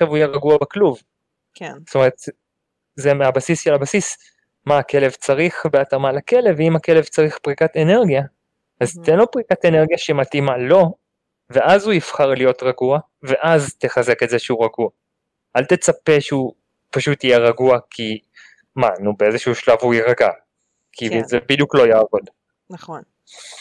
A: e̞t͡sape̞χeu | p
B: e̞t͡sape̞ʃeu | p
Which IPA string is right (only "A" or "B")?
B